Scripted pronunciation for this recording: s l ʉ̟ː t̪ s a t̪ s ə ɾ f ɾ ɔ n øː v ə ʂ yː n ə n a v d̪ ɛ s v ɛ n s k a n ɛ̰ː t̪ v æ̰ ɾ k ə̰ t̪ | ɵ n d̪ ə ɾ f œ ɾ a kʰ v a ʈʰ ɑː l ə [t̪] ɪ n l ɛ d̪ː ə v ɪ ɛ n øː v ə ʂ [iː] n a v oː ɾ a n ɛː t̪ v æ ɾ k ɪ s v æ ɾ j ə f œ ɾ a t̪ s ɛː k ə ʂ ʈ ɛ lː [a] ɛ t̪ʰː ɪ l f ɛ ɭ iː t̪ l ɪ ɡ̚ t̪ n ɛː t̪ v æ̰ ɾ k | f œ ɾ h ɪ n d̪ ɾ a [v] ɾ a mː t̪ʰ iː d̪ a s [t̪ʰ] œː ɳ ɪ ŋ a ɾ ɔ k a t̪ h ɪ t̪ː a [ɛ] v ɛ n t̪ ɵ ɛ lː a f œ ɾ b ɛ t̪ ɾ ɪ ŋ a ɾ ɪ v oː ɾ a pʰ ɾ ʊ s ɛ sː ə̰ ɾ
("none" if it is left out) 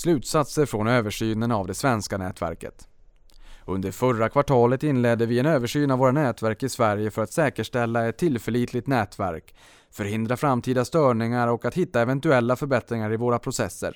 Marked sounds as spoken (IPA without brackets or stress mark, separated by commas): t̪, yː, a, f, t̪, ɛ